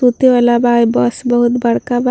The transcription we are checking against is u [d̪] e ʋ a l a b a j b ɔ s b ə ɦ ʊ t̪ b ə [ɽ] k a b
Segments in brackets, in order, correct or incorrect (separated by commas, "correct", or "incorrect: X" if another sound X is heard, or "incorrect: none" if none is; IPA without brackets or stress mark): incorrect: t̪, correct